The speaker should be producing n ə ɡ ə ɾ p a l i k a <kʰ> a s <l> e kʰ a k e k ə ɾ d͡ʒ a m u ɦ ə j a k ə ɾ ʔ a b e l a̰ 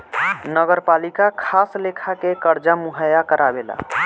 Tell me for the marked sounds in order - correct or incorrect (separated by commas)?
correct, correct